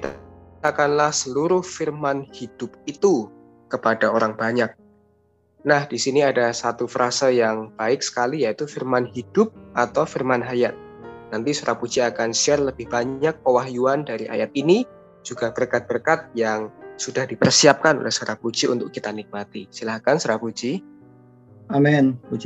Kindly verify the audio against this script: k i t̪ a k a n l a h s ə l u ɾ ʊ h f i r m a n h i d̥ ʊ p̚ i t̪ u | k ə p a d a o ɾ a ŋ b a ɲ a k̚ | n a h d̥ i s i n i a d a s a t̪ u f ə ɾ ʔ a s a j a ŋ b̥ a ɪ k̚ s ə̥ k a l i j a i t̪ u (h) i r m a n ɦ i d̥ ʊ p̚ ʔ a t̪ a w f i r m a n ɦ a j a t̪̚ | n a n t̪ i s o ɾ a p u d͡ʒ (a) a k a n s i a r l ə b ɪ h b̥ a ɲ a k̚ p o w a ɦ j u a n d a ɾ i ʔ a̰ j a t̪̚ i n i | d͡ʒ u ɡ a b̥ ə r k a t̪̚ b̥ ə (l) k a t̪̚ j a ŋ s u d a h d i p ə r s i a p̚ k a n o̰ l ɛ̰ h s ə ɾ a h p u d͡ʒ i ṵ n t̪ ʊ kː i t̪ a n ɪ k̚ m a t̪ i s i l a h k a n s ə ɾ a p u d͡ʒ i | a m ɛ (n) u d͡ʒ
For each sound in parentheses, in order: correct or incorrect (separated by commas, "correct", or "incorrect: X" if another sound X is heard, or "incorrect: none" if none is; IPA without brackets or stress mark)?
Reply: incorrect: f, incorrect: i, incorrect: r, correct